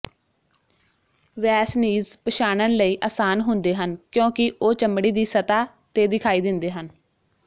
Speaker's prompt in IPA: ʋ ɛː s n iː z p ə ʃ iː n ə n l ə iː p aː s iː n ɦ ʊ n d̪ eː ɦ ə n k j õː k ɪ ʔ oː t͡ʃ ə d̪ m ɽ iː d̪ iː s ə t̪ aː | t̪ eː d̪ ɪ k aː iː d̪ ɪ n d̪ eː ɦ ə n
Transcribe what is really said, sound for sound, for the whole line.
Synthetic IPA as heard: ʋ ɛː s n iː z p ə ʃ aː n ə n l ə iː ʔ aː s aː n ɦ ʊ n d̪ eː ɦ ə n k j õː k ɪ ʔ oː t͡ʃ ə m ɽ iː d̪ iː s ə t̪ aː | t̪ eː d̪ ɪ kʰ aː iː d̪ ɪ n d̪ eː ɦ ə n